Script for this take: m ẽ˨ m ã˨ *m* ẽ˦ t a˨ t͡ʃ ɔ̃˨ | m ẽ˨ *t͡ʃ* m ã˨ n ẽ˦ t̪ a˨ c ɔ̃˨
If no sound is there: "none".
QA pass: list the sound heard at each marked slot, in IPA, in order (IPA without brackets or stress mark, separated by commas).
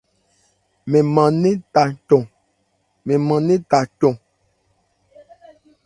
n, none